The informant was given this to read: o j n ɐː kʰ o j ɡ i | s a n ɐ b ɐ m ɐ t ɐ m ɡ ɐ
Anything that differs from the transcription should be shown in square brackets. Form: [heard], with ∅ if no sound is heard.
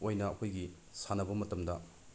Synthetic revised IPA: o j n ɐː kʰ o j ɡ i | s a n ɐ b ɐ m ɐ t ɐ m [d] ɐ